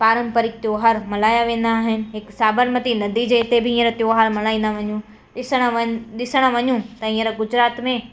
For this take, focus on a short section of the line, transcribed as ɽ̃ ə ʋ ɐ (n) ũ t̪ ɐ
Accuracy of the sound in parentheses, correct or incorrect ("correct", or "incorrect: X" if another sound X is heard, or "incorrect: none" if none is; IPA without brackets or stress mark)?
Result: incorrect: ɲ